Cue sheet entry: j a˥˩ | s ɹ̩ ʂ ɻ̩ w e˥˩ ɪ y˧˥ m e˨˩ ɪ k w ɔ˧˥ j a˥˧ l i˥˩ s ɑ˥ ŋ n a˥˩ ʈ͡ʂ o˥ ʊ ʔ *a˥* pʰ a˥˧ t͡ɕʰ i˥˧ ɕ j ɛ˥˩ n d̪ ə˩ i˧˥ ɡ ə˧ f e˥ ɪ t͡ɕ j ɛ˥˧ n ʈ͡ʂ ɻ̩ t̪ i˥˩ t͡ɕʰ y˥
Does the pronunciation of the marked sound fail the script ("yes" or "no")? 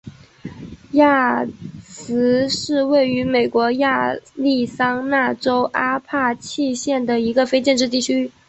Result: no